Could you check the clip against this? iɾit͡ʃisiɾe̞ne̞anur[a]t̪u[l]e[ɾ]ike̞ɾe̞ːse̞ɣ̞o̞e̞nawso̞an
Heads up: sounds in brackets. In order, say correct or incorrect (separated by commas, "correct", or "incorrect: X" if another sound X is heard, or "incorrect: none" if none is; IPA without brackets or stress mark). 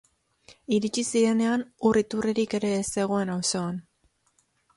incorrect: i, incorrect: r, correct